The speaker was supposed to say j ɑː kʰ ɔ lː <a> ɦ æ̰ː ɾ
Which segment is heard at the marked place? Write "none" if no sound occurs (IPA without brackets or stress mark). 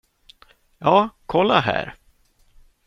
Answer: a